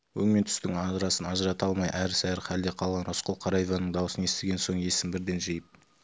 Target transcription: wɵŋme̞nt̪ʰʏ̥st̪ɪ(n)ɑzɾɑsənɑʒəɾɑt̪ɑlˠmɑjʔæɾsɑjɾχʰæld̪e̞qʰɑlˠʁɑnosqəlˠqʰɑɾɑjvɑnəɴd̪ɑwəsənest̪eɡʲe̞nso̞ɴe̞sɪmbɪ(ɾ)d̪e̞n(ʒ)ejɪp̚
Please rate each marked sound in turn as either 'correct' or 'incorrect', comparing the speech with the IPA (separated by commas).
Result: incorrect, correct, correct